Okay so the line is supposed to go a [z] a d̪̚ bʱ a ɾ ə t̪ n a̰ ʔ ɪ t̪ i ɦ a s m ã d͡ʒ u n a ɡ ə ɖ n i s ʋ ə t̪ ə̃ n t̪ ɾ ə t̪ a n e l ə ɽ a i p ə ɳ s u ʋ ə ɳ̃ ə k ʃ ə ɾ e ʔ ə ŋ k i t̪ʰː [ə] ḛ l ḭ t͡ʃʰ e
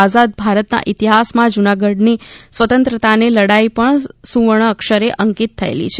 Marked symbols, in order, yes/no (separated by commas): yes, yes